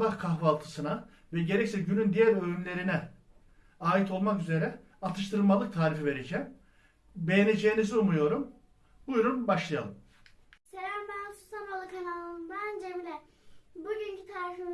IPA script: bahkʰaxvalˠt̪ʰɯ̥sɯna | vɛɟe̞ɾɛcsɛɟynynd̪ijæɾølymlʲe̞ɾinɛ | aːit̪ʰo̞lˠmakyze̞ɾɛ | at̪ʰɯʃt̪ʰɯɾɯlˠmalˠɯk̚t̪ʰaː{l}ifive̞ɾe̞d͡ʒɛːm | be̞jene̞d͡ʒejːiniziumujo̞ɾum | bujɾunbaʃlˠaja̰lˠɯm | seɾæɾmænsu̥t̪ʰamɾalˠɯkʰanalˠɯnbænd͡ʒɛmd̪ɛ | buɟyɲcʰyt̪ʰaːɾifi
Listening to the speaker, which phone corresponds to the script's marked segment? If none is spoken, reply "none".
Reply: ɾ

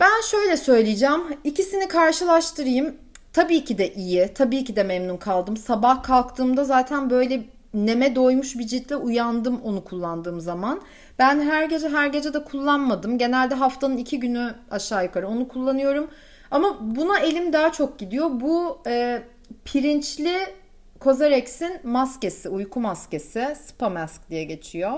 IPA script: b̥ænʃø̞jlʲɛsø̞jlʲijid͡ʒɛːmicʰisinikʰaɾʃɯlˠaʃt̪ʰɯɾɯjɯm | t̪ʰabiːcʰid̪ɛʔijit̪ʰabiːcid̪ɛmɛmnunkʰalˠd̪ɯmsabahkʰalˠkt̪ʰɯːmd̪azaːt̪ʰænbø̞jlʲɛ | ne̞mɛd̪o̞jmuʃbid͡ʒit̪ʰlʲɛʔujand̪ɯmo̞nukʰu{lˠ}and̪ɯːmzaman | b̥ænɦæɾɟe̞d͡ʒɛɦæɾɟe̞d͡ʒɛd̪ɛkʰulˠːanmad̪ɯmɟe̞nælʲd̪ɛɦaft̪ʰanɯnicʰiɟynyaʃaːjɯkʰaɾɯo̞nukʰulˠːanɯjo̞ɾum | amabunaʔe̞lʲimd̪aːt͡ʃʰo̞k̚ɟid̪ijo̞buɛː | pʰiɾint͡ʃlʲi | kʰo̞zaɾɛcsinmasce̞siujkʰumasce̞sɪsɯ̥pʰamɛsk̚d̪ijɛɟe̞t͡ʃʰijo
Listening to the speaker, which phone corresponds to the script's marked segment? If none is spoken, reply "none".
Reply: lˠː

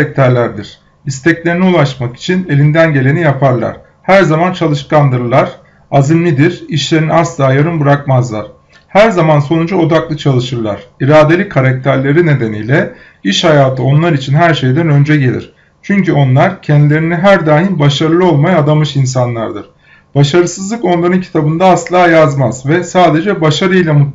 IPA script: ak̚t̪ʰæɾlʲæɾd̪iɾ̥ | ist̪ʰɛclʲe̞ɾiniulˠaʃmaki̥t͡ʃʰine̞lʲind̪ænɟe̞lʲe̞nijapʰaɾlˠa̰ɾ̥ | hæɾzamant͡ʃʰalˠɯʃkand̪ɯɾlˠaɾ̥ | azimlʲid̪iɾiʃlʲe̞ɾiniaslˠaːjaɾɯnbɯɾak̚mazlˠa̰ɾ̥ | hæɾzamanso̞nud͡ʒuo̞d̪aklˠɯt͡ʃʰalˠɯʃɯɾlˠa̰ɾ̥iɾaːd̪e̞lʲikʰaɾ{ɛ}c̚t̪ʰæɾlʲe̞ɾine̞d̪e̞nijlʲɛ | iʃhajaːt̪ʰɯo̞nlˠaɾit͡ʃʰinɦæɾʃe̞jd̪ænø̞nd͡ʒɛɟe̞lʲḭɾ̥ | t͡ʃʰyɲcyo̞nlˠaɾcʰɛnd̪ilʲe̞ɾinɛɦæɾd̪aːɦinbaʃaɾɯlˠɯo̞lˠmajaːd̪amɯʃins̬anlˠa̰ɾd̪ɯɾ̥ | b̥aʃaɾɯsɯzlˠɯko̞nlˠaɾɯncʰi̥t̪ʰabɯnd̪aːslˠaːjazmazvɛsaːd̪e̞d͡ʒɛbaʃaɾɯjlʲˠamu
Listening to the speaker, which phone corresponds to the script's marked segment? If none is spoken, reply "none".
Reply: a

